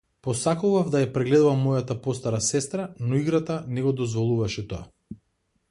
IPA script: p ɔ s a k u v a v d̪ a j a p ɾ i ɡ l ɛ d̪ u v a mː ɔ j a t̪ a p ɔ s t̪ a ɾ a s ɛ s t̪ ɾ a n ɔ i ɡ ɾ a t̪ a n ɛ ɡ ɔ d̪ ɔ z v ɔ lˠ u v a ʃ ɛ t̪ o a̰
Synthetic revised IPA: p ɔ s a k u v a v d̪ a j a p ɾ ɛ ɡ l ɛ d̪ u v a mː ɔ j a t̪ a p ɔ s t̪ a ɾ a s ɛ s t̪ ɾ a n ɔ i ɡ ɾ a t̪ a n ɛ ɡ ɔ d̪ ɔ z v ɔ lˠ u v a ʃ ɛ t̪ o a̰